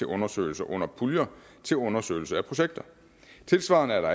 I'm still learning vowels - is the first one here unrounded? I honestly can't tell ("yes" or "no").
yes